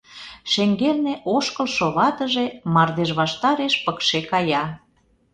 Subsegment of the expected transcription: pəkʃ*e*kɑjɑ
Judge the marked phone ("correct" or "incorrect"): correct